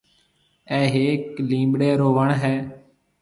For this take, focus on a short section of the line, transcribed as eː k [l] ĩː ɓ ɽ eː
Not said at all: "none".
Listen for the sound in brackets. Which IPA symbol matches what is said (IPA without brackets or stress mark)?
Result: l